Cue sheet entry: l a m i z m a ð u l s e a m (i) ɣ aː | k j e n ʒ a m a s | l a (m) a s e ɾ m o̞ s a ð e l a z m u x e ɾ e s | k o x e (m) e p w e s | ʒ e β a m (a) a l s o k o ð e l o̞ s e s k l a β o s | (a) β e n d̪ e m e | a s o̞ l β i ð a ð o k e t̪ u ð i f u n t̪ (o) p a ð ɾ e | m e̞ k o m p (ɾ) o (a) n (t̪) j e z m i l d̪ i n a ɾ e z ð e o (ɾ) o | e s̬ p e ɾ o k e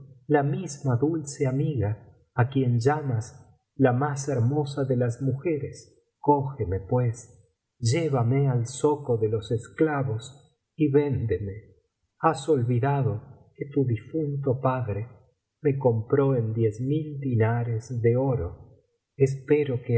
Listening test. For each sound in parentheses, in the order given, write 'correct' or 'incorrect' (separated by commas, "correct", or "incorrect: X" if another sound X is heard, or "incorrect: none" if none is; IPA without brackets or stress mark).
correct, correct, correct, incorrect: e, incorrect: i, correct, correct, incorrect: e, incorrect: d̪, correct